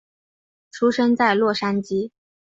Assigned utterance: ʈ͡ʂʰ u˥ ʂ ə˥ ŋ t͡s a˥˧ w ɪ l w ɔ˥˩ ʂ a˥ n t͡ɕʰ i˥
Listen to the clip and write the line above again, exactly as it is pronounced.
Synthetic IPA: ʈ͡ʂʰ u˥ ʂ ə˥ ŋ t͡s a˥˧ ɪ l w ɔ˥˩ ʂ a˥ n t͡ɕ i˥